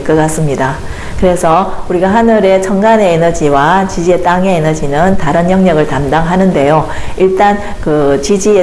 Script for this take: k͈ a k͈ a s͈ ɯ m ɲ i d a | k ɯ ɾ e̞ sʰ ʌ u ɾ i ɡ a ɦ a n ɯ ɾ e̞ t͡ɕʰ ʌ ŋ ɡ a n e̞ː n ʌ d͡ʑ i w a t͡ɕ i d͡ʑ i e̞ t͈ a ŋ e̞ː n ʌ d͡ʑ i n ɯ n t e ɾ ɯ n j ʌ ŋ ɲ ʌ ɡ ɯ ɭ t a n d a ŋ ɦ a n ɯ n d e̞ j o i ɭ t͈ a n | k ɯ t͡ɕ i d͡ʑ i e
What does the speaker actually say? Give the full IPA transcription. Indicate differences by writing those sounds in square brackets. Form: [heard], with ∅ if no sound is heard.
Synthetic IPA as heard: k͈ [ʌ] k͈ a s͈ ɯ m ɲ i d a | k ɯ ɾ e̞ sʰ ʌ u ɾ i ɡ a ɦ a n ɯ ɾ e̞ t͡ɕʰ ʌ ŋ ɡ a n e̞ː n ʌ d͡ʑ i w a t͡ɕ i d͡ʑ i e̞ t͈ a ŋ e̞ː n ʌ d͡ʑ i n ɯ n t [a] ɾ ɯ n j ʌ ŋ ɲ ʌ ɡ ɯ ɭ t a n d a ŋ ɦ a n ɯ n d e̞ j o i ɭ t͈ a n | k ɯ t͡ɕ i d͡ʑ i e